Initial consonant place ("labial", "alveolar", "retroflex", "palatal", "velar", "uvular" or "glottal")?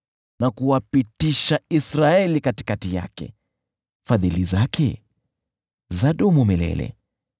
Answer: alveolar